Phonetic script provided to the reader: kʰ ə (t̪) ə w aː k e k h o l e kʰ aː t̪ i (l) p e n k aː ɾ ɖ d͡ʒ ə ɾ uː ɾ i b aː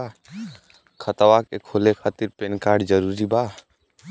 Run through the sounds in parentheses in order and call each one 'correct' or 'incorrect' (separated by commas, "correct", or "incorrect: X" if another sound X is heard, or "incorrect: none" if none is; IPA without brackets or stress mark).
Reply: correct, incorrect: ɾ